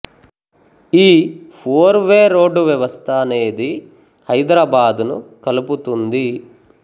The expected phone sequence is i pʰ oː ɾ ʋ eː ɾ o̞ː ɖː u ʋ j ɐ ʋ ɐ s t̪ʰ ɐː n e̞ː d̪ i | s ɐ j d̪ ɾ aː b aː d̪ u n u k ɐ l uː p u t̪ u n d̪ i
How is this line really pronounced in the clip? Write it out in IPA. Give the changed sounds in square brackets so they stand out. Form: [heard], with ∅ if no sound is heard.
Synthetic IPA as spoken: [iː] pʰ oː ɾ ʋ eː ɾ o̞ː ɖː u ʋ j ɐ ʋ ɐ s t̪ʰ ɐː n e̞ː d̪ i | [h] ɐ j d̪ ɾ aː b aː d̪ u n u k ɐ l [u] p u t̪ u n d̪ i